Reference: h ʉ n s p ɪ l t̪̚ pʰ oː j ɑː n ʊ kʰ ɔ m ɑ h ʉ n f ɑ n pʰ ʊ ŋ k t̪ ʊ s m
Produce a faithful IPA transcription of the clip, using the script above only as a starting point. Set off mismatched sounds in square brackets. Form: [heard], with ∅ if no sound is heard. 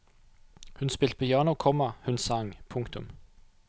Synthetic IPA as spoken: h ʉ n s p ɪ l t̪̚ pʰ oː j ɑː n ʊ kʰ ɔ m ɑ h ʉ n [s] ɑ [ŋ] pʰ ʊ ŋ k t̪ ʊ [∅] m